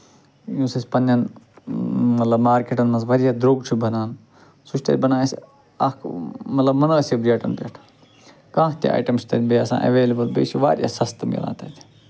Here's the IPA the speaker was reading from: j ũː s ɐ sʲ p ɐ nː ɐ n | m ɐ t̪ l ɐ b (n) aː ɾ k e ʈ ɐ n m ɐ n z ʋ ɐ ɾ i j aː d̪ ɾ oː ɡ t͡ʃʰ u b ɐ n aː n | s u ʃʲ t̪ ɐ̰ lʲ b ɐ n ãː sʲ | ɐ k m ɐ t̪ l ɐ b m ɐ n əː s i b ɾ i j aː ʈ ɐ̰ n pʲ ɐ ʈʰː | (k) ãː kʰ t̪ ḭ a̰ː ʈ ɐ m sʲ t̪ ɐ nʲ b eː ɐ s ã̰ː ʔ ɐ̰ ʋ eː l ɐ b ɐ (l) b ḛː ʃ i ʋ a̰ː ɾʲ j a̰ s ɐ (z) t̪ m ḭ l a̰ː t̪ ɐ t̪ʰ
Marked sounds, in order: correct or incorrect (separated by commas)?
incorrect, correct, correct, incorrect